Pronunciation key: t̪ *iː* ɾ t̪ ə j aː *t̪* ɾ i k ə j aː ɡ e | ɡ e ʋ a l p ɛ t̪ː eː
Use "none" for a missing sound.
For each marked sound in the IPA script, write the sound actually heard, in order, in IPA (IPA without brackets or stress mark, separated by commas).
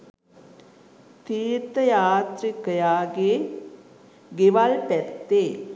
iː, t̪